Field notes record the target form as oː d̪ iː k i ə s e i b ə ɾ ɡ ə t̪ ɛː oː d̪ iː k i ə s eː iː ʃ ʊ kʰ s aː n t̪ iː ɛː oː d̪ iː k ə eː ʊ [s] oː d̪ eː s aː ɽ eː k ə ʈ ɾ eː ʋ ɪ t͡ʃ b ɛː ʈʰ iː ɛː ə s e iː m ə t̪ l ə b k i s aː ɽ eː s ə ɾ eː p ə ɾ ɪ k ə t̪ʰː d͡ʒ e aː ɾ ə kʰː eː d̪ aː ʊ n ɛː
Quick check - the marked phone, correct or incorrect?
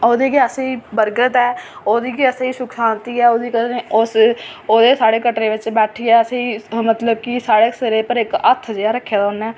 correct